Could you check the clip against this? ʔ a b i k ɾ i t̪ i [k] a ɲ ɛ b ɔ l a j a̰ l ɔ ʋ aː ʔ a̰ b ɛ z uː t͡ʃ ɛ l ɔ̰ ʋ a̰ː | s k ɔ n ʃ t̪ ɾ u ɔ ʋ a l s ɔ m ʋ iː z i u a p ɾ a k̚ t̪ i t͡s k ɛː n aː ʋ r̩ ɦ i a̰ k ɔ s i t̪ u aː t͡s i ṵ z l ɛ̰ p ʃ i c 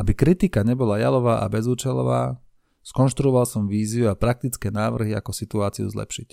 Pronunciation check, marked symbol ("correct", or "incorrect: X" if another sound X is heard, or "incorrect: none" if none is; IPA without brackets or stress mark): correct